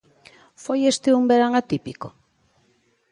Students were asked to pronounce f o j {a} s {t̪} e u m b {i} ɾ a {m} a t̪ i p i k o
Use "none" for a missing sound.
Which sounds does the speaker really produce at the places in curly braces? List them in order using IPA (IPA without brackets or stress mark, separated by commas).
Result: e, t̪, e, ŋ